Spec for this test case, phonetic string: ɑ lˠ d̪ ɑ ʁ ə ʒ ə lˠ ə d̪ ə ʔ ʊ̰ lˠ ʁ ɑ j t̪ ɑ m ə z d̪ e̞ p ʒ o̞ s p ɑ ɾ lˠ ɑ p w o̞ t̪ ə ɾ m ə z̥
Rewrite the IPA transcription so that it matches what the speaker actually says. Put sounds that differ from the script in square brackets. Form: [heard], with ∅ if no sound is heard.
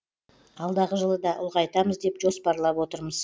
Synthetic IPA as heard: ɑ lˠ d̪ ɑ ʁ ə ʒ ə lˠ ə d̪ [ɑ] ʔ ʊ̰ lˠ ʁ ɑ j t̪ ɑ m ə z d̪ e̞ p ʒ o̞ s p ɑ ɾ lˠ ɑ p w o̞ t̪ ə ɾ m ə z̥